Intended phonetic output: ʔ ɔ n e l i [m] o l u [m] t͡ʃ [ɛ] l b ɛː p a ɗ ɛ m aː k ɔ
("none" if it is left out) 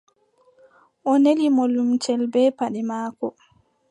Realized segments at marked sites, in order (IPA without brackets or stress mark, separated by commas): m, m, ɛ